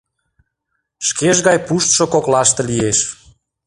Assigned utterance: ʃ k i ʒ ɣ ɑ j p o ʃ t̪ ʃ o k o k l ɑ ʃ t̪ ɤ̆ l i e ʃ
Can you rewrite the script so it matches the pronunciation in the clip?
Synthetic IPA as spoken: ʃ k e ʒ ɣ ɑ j p u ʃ t̪ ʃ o k o k l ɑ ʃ t̪ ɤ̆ l i e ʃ